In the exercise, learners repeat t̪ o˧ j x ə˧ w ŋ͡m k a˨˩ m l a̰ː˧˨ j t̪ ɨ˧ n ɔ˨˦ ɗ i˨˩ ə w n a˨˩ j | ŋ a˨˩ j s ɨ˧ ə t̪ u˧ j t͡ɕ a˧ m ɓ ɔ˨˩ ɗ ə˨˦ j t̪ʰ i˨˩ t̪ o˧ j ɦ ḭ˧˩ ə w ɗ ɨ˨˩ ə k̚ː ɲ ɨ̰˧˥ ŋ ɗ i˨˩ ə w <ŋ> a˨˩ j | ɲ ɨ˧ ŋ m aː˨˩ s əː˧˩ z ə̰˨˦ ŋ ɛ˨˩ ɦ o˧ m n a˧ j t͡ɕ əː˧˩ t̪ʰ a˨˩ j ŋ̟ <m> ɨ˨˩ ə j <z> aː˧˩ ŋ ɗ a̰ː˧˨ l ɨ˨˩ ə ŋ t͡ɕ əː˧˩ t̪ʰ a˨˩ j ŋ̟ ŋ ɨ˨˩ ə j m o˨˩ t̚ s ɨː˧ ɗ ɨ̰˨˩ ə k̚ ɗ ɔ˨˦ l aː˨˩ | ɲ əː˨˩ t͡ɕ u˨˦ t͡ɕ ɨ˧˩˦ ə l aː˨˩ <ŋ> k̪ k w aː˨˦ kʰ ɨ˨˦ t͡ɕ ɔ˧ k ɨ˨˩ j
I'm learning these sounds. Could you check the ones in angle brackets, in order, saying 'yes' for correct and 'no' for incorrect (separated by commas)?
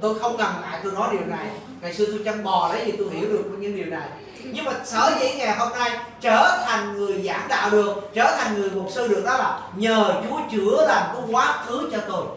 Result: no, no, yes, no